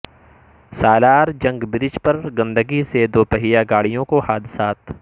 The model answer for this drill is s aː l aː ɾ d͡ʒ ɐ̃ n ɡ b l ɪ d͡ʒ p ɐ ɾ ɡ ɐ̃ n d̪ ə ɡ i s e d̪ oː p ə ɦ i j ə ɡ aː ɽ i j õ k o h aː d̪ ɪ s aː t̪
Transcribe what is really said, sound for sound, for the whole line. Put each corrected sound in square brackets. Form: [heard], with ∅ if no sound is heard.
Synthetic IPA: s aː l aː ɾ d͡ʒ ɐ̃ [ŋ] ɡ b [ɾ] ɪ d͡ʒ p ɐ ɾ ɡ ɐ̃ n d̪ ə ɡ i s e d̪ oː p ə ɦ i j [a] ɡ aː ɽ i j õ k o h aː d̪ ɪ s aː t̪